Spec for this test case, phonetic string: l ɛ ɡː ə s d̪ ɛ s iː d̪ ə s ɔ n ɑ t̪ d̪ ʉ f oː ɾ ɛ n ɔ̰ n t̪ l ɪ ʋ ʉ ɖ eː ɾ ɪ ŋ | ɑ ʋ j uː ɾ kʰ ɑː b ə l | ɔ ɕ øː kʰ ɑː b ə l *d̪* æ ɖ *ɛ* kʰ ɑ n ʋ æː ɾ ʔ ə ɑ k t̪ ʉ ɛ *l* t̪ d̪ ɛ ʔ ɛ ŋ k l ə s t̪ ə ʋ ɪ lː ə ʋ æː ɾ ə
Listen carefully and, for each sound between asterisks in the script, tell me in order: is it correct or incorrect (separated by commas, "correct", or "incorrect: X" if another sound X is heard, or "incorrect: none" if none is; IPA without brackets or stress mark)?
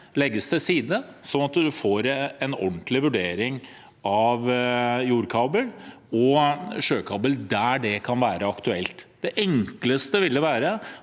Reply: correct, correct, correct